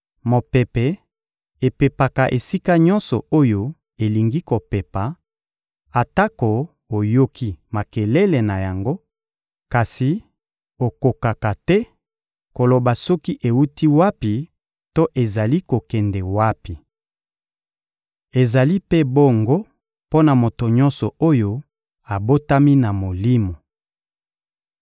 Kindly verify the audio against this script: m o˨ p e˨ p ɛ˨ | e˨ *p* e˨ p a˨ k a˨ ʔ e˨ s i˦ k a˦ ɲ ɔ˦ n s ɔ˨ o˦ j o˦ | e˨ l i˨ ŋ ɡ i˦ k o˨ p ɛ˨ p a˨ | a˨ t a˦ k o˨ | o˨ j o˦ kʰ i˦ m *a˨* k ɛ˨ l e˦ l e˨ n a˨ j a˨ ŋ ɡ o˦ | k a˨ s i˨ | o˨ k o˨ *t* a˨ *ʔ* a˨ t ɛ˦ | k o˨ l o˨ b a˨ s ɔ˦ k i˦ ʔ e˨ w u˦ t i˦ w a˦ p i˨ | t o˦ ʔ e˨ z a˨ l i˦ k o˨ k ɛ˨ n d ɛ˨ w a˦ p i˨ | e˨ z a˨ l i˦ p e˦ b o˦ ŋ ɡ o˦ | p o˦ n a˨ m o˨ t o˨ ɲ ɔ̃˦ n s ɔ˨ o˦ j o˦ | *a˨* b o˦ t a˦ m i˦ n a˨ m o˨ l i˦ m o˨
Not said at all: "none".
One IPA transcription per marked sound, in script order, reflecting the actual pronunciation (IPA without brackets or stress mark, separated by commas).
p, a˨, k, k, a˨